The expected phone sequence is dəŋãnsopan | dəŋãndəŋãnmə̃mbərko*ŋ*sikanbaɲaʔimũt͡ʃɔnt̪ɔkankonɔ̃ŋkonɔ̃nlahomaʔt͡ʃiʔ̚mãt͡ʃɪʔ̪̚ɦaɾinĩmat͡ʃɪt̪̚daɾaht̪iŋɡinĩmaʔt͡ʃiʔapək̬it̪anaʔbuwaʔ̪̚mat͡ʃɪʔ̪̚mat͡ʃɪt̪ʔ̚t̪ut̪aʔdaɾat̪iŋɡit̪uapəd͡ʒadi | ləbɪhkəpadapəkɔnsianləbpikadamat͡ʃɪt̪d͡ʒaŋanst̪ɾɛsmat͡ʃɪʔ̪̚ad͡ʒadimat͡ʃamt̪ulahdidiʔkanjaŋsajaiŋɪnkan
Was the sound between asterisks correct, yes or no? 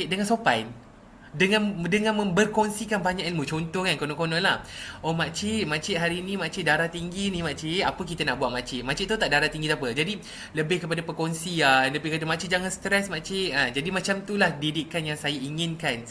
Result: no